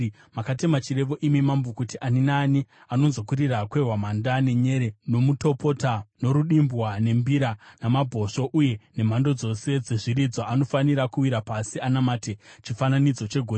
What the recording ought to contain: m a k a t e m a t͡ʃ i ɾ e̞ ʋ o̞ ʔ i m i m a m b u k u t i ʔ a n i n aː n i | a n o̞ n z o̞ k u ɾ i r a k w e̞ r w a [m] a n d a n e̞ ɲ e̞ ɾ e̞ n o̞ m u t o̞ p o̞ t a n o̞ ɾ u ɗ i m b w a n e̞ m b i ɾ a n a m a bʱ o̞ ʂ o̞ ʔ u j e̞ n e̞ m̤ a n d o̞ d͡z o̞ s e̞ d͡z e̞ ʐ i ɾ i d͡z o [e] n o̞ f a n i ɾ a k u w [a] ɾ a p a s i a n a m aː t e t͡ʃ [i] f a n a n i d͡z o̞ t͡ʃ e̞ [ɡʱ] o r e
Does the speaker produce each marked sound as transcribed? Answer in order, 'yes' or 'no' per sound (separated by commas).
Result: yes, no, no, yes, yes